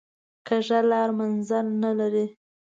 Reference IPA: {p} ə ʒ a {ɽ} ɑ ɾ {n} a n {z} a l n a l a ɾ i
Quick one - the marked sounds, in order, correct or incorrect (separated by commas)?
incorrect, incorrect, incorrect, correct